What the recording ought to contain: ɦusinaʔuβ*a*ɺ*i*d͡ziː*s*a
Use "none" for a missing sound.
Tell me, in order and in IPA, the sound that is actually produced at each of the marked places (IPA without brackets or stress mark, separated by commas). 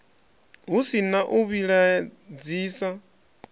i, a, s